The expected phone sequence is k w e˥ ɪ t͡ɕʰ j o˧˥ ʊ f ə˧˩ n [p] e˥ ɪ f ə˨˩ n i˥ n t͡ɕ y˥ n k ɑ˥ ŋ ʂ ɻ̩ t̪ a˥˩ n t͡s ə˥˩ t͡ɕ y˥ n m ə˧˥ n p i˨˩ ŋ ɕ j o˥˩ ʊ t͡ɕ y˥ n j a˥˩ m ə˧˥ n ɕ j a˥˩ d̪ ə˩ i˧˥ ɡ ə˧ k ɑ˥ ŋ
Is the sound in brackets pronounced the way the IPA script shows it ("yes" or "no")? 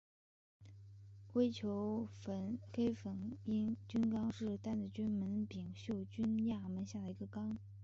no